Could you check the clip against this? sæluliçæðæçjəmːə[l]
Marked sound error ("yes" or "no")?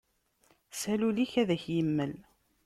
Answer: no